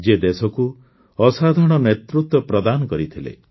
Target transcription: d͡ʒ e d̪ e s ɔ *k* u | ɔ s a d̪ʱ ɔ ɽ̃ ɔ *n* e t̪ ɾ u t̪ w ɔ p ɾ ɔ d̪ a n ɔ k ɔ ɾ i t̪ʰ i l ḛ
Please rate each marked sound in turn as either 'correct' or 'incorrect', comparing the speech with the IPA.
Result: correct, correct

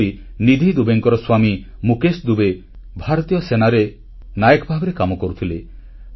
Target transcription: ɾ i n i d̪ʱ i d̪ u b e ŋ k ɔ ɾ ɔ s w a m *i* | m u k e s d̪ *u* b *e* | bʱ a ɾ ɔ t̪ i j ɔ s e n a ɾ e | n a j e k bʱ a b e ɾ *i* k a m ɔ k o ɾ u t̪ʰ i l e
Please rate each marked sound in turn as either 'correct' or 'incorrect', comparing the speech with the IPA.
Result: correct, correct, correct, incorrect: e

